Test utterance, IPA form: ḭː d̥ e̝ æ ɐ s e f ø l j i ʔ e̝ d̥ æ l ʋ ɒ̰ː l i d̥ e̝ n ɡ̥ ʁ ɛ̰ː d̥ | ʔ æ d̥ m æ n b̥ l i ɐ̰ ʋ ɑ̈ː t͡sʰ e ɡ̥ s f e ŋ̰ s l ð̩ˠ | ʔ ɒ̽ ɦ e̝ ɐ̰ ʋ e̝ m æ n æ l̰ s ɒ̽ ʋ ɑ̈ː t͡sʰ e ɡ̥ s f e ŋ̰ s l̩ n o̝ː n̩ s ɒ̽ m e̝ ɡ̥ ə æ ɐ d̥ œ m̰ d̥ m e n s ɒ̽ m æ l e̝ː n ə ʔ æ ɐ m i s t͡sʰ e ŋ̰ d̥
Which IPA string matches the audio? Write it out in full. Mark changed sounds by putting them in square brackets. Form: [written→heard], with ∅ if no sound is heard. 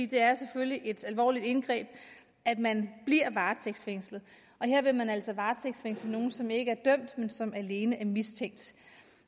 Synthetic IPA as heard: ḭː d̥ e̝ æ ɐ s e f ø l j i ʔ e̝ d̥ æ l ʋ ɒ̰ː l i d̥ e̝ n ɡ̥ ʁ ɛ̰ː [d̥→b̥] | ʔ æ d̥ m æ n b̥ l i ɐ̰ ʋ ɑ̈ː t͡sʰ e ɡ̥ s f e ŋ̰ s l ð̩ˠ | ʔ ɒ̽ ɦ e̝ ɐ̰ ʋ e̝ m æ n æ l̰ s ɒ̽ ʋ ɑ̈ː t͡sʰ e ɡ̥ s f e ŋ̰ s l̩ n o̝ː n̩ s ɒ̽ m e̝ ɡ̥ ə æ ɐ d̥ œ m̰ d̥ m e n s ɒ̽ m æ l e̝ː n ə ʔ æ ɐ m i s t͡sʰ e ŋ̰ d̥